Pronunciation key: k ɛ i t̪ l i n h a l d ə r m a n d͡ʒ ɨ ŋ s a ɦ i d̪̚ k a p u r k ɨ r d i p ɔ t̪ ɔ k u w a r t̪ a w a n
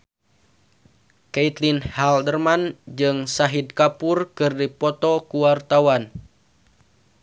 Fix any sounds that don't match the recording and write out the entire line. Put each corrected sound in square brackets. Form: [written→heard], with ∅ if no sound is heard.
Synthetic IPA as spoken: k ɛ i t̪ l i n h a l d ə r m a n d͡ʒ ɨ ŋ s a ɦ i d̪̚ k a p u r k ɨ r d i p ɔ t̪ ɔ k u w a r t̪ a w a n